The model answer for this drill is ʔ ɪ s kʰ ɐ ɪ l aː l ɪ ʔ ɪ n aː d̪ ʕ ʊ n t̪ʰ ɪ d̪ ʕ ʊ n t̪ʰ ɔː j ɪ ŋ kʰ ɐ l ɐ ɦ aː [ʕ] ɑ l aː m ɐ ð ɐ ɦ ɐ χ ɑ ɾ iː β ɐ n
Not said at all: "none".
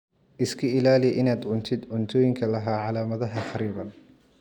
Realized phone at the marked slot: ʕ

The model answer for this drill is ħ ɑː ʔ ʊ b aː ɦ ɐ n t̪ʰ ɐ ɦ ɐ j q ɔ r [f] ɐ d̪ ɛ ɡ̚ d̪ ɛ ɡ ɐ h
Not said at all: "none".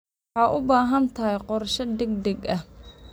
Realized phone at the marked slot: ʃ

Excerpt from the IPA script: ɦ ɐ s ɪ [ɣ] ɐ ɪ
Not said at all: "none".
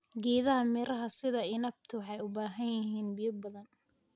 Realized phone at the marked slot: ð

